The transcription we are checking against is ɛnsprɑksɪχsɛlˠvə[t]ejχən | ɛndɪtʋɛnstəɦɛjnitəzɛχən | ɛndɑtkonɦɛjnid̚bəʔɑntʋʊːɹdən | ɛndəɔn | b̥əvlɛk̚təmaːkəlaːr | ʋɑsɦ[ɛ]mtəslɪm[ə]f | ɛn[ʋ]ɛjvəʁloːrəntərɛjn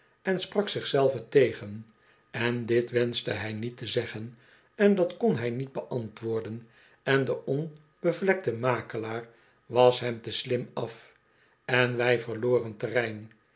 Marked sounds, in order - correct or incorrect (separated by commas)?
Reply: correct, correct, incorrect, correct